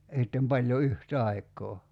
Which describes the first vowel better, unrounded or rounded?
unrounded